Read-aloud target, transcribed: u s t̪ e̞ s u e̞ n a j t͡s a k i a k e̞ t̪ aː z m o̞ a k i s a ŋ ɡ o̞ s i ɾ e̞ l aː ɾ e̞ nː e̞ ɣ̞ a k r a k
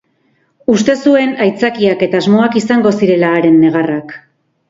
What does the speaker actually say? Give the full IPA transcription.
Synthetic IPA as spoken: u s t̪ e̞ s u e̞ n a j t͡s a k i a k e̞ t̪ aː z m o̞ a k i s a ŋ ɡ o̞ s i ɾ e̞ l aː ɾ e̞ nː e̞ ɣ̞ a r a k